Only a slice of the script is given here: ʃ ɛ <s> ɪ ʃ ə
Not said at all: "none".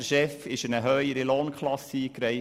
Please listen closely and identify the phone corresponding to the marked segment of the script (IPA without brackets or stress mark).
f